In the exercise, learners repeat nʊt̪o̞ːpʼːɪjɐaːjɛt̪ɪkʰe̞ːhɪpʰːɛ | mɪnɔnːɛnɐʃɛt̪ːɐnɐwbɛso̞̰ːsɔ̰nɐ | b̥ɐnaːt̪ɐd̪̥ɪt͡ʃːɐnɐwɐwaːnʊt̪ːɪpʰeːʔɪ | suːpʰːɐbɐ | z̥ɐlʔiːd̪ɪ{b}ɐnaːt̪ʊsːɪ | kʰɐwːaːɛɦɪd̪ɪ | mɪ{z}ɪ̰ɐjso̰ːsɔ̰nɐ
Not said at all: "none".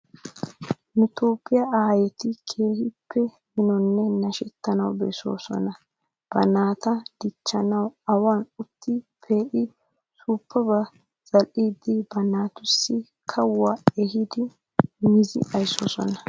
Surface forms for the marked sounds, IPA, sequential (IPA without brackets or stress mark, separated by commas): b, z